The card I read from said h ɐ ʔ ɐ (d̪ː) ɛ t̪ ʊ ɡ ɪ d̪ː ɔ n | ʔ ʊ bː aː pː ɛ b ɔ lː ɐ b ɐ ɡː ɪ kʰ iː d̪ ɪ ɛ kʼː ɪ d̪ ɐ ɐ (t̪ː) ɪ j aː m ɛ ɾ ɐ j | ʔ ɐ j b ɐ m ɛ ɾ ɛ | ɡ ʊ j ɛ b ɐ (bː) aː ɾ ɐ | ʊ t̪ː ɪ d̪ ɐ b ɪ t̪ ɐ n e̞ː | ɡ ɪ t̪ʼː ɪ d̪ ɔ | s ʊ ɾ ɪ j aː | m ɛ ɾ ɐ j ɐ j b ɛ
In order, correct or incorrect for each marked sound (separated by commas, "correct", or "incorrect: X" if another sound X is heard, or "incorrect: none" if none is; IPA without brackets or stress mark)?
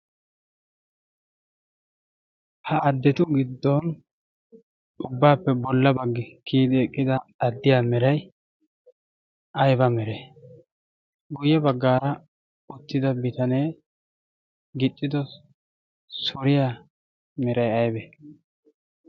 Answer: correct, incorrect: d̪ː, incorrect: ɡː